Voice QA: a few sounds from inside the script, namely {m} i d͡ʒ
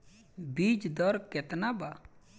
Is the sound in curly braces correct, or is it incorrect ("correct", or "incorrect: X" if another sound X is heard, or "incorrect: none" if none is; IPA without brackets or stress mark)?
incorrect: b